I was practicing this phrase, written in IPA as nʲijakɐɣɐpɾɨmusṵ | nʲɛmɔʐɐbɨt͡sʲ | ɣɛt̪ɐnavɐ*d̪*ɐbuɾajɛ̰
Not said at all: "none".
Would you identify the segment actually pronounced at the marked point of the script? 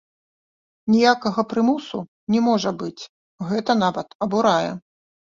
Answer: t̪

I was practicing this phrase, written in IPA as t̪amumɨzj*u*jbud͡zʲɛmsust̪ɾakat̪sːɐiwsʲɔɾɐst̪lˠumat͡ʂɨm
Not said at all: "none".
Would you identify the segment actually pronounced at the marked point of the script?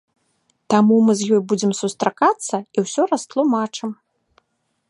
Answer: ɔ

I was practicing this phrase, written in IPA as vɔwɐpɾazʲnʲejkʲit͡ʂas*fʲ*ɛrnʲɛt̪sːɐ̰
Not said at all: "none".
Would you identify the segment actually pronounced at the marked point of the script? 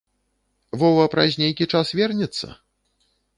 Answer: vʲ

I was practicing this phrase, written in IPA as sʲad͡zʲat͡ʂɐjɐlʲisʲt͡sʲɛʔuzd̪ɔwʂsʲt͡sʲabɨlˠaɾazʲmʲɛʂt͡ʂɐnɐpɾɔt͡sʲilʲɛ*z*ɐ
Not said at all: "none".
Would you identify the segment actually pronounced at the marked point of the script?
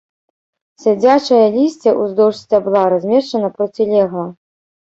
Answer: ɣ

